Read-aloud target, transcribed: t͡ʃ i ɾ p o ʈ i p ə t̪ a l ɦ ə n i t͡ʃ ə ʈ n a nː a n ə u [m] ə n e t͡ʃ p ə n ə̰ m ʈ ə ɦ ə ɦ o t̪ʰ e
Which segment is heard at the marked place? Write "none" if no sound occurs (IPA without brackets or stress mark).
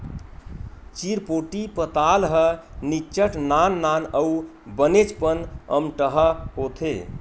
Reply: b